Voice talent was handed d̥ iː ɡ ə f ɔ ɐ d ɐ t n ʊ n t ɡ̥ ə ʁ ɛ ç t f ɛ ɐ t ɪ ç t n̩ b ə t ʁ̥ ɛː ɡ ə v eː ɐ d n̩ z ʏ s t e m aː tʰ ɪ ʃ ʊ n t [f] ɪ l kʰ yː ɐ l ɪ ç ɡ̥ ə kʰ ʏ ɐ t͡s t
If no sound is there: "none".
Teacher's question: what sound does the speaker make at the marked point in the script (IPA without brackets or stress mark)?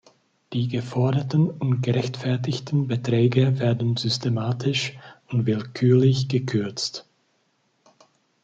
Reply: v